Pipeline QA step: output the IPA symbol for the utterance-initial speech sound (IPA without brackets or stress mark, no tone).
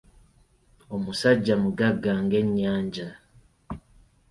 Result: o̞